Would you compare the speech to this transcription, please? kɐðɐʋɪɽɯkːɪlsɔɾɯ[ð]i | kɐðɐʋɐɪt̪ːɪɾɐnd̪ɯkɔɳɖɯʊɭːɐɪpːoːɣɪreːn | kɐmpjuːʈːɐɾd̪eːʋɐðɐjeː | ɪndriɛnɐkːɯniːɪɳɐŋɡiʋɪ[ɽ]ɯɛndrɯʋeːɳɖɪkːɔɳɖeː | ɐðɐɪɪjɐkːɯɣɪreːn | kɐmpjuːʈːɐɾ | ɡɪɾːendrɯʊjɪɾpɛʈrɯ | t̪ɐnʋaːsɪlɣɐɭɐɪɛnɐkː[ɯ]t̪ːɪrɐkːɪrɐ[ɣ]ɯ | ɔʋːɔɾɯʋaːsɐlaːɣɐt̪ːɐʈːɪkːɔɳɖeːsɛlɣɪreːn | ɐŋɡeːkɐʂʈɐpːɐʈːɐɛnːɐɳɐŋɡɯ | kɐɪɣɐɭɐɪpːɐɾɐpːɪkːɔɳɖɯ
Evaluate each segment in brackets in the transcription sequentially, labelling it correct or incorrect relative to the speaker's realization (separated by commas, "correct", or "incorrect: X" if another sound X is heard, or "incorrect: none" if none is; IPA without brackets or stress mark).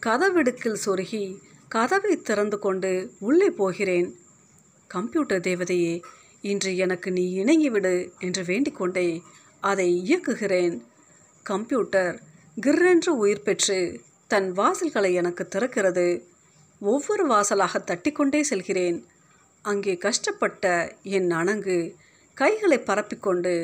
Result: incorrect: ɣ, correct, correct, incorrect: ð